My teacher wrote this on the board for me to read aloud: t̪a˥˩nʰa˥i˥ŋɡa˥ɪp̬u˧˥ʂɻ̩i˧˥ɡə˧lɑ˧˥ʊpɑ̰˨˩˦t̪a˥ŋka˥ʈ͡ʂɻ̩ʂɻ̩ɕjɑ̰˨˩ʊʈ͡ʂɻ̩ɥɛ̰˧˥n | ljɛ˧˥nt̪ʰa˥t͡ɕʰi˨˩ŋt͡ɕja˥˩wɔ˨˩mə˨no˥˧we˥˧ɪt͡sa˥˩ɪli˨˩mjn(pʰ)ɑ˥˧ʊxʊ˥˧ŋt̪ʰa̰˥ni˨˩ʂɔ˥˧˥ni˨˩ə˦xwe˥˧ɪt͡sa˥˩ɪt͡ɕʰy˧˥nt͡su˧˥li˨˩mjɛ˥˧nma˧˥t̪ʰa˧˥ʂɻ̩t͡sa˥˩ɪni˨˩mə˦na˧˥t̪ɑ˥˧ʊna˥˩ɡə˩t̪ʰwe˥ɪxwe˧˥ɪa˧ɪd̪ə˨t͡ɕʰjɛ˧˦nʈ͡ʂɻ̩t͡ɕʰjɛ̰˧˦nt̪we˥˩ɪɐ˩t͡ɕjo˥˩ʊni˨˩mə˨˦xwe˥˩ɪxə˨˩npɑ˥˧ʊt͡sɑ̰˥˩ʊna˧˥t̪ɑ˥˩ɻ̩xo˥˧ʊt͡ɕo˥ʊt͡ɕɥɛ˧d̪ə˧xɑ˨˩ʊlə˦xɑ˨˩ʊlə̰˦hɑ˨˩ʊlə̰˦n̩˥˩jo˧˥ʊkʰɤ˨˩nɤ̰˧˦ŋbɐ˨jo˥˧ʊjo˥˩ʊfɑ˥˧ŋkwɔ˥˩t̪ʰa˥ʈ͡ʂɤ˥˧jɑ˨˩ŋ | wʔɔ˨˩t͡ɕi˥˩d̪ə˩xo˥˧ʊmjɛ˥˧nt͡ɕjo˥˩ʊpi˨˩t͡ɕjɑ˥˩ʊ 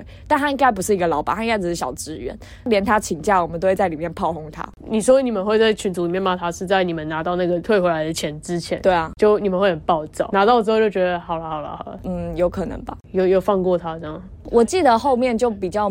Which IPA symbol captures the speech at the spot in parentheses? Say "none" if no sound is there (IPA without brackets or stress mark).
pʰ